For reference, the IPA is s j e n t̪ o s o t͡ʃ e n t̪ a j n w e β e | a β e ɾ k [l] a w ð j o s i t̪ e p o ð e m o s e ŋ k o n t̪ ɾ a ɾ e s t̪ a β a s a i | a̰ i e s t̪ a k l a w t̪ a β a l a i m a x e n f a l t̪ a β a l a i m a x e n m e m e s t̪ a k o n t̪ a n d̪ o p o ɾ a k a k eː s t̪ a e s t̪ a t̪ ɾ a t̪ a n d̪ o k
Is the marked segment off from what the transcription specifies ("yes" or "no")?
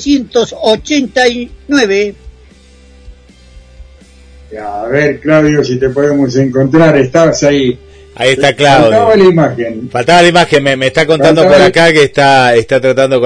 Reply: no